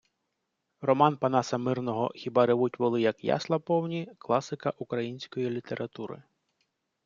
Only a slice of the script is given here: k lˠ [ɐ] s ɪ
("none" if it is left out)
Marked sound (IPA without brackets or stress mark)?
ɑ